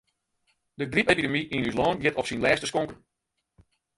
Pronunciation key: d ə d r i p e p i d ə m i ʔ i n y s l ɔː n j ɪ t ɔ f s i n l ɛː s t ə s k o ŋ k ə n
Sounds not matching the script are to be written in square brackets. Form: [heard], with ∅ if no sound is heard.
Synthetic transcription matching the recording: d ə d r i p e p i d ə m i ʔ i n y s l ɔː n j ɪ t ɔ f s i n l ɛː s t ə s k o ŋ k ə n

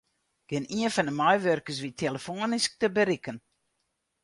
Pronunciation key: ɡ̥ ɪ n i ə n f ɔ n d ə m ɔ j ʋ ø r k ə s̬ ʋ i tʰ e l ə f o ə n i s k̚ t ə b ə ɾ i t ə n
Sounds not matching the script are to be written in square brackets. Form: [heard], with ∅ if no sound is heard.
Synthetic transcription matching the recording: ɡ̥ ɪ n i ə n f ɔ n d ə m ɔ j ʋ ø r k ə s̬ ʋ i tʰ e l ə f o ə n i s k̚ t ə b ə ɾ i [k] ə n

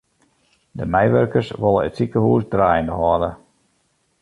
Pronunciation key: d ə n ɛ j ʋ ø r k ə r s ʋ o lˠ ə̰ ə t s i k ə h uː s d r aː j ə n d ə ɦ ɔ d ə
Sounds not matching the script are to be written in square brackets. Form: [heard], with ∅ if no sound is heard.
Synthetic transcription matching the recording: d ə [m] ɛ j ʋ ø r k ə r s ʋ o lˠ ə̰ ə t s i k ə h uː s d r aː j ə n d ə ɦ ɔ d ə

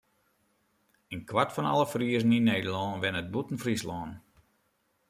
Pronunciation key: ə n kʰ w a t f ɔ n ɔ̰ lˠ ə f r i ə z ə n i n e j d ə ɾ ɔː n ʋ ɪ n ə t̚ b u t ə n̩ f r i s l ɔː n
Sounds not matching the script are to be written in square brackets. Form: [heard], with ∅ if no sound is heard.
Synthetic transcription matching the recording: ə n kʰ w a t f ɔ n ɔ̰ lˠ ə f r i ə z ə n i n e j d ə [l] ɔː n ʋ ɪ n ə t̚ b u t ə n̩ f r i s l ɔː n

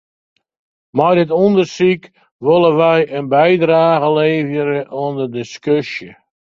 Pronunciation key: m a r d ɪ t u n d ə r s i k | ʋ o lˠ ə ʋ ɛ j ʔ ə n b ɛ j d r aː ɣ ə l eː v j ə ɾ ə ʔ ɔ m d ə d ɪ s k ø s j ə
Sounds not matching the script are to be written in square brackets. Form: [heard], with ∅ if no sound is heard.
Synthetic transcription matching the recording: m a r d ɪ t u n d ə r s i k | ʋ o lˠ ə ʋ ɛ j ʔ ə n b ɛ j d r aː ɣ ə l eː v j ə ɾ ə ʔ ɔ [n] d ə d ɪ s k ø s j ə

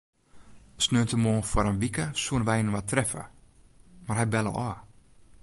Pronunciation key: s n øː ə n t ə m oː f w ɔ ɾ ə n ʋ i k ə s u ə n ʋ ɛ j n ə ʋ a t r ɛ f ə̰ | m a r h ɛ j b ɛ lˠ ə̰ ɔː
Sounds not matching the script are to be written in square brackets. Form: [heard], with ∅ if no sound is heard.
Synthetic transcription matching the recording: s n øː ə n t ə m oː f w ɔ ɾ ə n ʋ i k ə s u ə n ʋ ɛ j n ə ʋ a t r ɛ f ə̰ | m a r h ɛ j b ɛ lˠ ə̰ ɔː

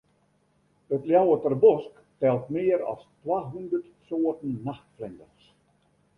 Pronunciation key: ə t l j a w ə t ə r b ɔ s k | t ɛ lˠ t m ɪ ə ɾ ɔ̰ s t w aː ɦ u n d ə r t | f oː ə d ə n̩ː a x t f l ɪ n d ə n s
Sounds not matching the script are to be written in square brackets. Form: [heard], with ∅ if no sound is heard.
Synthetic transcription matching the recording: ə t l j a w ə t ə r b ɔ s k | t ɛ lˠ t m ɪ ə ɾ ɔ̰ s t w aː ɦ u n d ə r t | [s] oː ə [t] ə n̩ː a x t f l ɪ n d ə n s

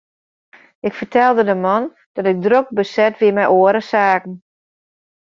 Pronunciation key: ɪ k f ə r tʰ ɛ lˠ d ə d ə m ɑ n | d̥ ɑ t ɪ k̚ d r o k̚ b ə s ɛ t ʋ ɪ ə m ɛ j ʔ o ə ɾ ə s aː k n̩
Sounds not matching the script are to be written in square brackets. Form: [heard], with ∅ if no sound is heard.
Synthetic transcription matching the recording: ɪ k f ə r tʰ ɛ lˠ d ə d ə m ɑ n | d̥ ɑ t ɪ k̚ d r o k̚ b ə s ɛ t ʋ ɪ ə m ɛ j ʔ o ə ɾ ə s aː k n̩

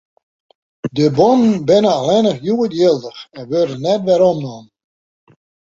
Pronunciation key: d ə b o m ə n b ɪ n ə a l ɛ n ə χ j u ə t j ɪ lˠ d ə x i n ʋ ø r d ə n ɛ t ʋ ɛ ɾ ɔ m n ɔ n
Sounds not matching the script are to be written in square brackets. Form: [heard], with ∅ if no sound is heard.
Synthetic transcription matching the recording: d ə b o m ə n b ɪ n ə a l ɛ n ə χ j u ə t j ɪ lˠ d ə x [ɛ] n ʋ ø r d ə n ɛ t ʋ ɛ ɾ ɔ m n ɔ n

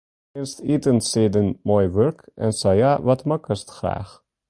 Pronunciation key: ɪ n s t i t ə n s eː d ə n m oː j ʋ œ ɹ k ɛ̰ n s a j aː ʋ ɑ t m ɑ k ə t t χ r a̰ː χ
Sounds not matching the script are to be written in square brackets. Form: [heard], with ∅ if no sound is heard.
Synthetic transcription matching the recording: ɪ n s t i t ə n s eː d ə n m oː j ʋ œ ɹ k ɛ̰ n s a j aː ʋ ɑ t m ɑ k ə [s] t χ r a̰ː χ

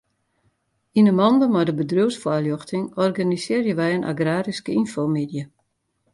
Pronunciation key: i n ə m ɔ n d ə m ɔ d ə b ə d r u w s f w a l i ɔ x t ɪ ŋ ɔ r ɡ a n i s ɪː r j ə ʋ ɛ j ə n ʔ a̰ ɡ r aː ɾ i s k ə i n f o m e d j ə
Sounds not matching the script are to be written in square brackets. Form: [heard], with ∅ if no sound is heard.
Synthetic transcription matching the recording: i n ə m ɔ n d ə m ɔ d ə b ə d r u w s f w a l [j] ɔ x t ɪ ŋ ɔ r ɡ a n i s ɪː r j ə ʋ ɛ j ə n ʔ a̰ ɡ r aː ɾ i s k ə i n f o m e d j ə

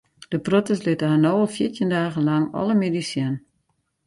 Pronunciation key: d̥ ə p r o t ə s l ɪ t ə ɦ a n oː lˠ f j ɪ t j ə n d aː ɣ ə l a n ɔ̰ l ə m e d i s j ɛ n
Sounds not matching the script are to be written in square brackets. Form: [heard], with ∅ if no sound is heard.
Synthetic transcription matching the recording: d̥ ə p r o t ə s l ɪ t ə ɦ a n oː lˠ f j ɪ t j ə n d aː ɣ ə l a [ŋ] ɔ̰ l ə m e d i s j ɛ n

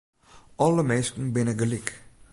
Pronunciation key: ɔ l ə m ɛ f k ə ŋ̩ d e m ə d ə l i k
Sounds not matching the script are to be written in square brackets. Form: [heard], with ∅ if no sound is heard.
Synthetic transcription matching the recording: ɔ l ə m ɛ [s] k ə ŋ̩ [b] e [n] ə [ɡ] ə l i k

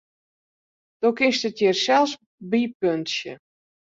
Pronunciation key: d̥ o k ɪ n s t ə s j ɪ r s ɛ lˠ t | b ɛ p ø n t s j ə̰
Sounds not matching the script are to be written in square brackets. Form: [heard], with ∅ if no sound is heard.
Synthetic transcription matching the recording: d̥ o k ɪ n s t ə [t] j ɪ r s ɛ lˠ [s] | b [i] p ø n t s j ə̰

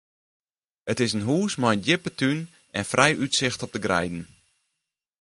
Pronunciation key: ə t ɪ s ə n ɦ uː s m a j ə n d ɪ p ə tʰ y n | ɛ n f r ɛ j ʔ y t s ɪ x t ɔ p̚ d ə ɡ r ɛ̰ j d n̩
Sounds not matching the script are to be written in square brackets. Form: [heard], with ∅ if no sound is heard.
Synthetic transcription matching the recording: ə t ɪ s ə n ɦ uː s m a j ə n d ɪ p ə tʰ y n | ɛ n f r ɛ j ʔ y t s ɪ x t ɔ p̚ d ə ɡ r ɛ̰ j d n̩

